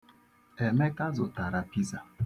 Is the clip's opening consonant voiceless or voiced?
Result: voiced